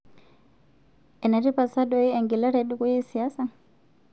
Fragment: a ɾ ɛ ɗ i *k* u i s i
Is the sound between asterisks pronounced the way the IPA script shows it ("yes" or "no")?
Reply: yes